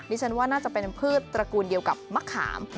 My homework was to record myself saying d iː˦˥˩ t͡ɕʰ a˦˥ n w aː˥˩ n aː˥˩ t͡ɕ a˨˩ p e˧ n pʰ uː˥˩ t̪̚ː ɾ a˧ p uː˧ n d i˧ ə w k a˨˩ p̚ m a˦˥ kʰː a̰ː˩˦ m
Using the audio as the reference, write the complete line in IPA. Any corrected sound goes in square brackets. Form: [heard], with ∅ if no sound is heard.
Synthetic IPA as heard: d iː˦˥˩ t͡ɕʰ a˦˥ n w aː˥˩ n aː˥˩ t͡ɕ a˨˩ p e˧ n pʰ [ɯː˥˩] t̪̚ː ɾ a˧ [k] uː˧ n d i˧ ə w k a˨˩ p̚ m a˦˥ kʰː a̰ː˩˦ m